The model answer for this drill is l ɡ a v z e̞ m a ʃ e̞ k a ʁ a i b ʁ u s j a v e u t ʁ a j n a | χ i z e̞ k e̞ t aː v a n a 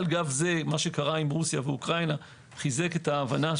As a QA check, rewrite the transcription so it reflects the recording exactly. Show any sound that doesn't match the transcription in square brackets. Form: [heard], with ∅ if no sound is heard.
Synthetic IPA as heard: l ɡ a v z e̞ m a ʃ e̞ k a ʁ a i [m] ʁ u s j a v e u [k] ʁ a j n a | χ i z e̞ k e̞ t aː v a n a